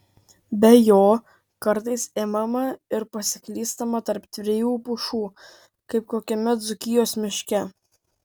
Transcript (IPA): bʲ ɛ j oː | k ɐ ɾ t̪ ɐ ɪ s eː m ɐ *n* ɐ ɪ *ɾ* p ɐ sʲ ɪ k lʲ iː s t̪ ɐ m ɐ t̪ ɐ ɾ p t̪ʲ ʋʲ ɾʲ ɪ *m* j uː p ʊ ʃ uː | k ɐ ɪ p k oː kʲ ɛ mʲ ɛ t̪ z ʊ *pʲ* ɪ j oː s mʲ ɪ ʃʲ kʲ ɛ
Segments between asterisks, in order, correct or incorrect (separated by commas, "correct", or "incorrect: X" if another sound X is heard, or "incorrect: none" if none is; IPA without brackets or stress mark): incorrect: m, correct, incorrect: none, incorrect: kʲ